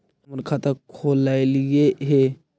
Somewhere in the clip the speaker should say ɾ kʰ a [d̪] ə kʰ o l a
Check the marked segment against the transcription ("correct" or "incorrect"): incorrect